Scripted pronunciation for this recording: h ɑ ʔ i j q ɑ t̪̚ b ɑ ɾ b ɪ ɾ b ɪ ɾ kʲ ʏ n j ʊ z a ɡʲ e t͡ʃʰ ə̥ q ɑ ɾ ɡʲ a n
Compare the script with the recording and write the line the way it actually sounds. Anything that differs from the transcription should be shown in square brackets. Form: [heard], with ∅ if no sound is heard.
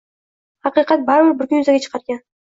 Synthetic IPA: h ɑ [q] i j q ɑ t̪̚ b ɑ ɾ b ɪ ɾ b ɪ ɾ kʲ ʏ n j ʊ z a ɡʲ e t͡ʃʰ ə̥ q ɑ ɾ ɡʲ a n